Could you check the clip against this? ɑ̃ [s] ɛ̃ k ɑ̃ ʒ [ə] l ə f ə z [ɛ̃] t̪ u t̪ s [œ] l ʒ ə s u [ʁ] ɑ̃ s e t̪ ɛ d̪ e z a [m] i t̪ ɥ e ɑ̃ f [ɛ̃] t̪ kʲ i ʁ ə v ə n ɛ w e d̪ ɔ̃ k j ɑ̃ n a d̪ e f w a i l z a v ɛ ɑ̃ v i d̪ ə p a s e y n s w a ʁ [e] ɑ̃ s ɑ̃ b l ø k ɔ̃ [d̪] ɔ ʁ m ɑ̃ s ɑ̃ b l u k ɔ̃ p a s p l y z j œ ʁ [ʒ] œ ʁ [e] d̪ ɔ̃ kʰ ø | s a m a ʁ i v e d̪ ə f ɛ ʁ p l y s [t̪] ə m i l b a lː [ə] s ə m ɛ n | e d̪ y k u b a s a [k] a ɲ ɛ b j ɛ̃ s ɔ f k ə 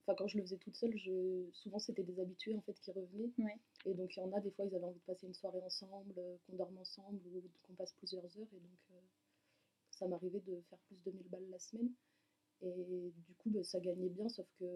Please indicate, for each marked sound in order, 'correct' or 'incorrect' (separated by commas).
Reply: incorrect, correct, incorrect, correct, incorrect, incorrect, incorrect, correct, correct, incorrect, correct, incorrect, incorrect, incorrect